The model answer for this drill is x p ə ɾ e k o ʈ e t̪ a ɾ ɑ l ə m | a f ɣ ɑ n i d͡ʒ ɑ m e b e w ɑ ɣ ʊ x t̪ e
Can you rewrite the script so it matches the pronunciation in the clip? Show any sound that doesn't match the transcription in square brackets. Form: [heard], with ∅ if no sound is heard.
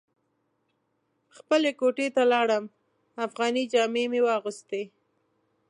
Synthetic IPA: x p ə [l] e k o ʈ e t̪ a [l] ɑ [ɽ] ə m | a f ɣ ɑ n i d͡ʒ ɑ m e [m] e w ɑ ɣ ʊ [s] t̪ e